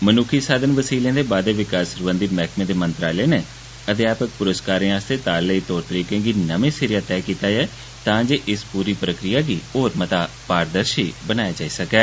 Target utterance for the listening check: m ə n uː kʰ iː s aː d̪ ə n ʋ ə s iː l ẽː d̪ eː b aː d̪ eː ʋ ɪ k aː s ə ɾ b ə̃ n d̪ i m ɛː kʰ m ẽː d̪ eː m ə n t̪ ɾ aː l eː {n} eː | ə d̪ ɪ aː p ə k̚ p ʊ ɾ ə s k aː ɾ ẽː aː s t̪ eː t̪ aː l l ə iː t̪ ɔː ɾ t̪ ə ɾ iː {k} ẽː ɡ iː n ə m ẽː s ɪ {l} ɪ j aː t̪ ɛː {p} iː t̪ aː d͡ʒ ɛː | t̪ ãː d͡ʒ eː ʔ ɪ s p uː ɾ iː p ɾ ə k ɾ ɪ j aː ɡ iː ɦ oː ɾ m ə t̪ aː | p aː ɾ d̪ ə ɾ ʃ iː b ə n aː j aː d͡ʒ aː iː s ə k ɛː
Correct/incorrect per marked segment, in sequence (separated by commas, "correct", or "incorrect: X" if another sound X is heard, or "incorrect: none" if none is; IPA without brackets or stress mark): correct, correct, incorrect: ɾ, incorrect: k